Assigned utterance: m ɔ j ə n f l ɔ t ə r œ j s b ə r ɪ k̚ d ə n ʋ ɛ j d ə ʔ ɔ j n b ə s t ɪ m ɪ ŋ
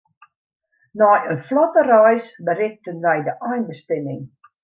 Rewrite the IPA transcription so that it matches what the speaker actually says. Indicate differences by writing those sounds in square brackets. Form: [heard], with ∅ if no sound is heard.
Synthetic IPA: [n] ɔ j ə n f l ɔ t ə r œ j s b ə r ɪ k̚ [t] ə n ʋ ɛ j d ə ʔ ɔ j n b ə s t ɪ m ɪ ŋ